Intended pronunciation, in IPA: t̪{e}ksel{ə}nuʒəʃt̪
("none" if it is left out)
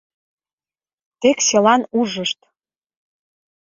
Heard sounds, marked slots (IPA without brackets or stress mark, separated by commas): e, ɑ